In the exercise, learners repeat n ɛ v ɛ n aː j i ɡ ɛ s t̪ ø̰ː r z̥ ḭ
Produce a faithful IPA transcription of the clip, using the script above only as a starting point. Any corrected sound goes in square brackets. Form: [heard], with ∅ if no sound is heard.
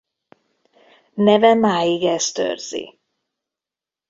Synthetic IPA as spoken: n ɛ v ɛ [m] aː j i ɡ ɛ s t̪ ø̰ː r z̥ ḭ